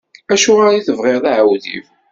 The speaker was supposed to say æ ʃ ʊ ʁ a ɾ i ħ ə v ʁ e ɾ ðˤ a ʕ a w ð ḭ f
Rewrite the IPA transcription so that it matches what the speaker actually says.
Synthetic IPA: æ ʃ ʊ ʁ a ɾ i θ ə v ʁ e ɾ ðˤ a ʕ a w ð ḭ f